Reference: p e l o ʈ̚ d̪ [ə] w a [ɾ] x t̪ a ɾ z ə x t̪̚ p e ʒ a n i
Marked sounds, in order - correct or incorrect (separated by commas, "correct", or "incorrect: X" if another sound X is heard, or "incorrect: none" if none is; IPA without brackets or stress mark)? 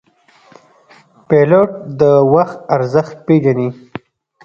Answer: correct, incorrect: none